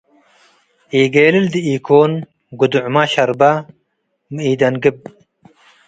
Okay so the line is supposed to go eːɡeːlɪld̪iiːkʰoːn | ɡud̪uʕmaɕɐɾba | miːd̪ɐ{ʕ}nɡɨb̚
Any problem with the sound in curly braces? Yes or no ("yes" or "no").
yes